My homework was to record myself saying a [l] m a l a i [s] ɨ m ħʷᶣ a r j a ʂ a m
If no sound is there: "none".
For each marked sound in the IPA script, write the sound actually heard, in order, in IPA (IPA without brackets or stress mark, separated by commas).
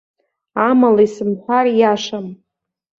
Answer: none, s